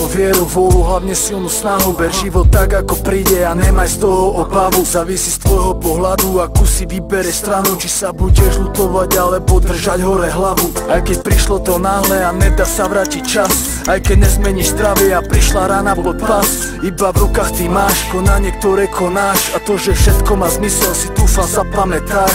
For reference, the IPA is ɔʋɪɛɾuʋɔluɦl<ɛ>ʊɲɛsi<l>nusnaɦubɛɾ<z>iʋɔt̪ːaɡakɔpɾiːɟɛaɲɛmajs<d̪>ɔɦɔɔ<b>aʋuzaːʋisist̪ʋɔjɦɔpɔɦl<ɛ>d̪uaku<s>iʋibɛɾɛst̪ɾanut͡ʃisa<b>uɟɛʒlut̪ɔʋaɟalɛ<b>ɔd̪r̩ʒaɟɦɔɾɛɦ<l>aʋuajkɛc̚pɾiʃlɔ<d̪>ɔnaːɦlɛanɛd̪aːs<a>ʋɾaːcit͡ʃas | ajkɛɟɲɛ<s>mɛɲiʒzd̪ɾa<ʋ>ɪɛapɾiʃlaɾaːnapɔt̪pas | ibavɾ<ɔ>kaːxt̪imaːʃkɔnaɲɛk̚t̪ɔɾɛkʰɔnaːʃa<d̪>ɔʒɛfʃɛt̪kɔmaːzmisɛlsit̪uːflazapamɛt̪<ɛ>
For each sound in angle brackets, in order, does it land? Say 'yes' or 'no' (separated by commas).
no, yes, no, no, yes, no, yes, yes, yes, yes, no, yes, no, yes, no, no, no